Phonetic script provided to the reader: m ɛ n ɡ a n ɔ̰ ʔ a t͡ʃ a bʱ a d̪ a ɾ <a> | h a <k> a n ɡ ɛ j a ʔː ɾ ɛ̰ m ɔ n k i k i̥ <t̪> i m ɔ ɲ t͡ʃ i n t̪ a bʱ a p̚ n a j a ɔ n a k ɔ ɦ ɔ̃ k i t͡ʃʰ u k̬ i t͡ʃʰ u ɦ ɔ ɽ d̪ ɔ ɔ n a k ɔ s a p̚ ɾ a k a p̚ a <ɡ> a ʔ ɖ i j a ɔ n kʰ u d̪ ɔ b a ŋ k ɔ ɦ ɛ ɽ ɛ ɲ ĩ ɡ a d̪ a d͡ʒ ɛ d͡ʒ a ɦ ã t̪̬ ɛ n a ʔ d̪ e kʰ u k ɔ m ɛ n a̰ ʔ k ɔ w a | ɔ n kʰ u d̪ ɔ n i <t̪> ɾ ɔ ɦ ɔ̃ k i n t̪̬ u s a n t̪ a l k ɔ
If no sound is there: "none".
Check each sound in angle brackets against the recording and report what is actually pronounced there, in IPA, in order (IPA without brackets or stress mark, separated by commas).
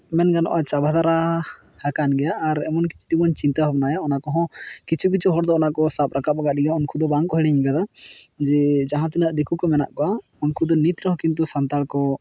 a, k, t̪, ɡ, t̪